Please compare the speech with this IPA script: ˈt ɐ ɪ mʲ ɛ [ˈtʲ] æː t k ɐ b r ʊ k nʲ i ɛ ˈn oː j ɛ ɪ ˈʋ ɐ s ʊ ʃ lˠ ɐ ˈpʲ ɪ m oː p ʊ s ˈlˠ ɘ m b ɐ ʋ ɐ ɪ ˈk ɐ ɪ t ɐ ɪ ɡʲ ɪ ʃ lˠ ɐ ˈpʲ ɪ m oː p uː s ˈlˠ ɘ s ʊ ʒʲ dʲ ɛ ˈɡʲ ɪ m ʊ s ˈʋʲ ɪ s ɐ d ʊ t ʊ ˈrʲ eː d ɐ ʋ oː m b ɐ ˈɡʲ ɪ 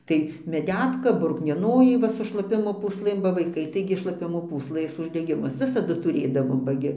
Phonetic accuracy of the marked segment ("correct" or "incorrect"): incorrect